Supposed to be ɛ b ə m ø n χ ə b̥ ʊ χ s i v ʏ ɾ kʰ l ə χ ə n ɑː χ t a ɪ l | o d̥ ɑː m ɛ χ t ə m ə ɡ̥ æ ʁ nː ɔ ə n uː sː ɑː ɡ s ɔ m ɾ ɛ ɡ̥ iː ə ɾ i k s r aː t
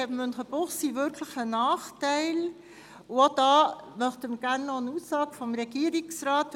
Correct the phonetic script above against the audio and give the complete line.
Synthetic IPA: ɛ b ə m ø n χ ə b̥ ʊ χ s i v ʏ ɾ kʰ l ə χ ə n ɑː χ t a ɪ l | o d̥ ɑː m œ χ t ə m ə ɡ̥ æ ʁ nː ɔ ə n uː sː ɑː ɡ f ɔ m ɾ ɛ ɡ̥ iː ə ɾ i k s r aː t